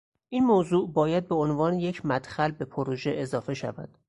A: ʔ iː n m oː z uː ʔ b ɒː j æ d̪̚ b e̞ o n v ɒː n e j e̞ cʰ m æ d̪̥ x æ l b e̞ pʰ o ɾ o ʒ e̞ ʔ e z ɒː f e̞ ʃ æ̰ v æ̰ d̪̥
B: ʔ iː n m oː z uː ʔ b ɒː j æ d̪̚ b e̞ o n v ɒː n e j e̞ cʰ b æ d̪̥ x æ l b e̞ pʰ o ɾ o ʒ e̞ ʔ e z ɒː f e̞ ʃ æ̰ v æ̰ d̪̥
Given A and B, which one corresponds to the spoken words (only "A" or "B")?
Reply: A